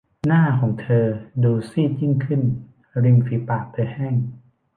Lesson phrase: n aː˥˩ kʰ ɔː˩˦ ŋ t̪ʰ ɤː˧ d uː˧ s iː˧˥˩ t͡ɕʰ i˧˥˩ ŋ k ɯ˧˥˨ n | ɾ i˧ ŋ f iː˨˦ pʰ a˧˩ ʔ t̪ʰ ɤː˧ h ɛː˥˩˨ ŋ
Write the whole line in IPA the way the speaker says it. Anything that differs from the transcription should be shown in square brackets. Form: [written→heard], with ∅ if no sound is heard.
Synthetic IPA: n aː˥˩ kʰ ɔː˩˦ ŋ t̪ʰ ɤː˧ d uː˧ s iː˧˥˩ [t͡ɕʰ→t͡ɕ] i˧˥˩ ŋ [k→kʰ] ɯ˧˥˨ n | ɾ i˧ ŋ f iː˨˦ [pʰ→p] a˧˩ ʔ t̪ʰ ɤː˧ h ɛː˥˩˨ ŋ